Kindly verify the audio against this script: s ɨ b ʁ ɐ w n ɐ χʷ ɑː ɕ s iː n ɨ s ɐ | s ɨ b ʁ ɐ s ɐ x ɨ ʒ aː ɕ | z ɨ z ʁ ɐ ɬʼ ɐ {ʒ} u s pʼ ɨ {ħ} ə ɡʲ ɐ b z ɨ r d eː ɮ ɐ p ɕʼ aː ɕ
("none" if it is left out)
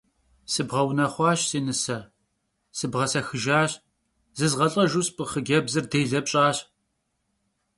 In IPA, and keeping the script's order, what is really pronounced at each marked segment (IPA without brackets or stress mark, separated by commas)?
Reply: ʒ, χ